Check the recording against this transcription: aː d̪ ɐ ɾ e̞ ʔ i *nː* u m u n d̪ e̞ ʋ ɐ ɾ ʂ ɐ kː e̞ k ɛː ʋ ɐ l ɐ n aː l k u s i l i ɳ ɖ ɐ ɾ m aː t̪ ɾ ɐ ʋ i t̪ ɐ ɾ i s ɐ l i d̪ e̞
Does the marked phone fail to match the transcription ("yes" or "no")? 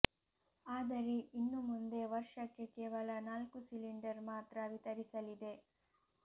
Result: no